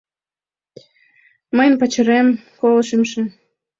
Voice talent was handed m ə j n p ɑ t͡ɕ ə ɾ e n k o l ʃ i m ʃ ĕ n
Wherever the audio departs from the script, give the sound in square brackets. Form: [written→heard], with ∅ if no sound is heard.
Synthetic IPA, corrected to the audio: m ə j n p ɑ t͡ɕ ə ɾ e [n→m] k o l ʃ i m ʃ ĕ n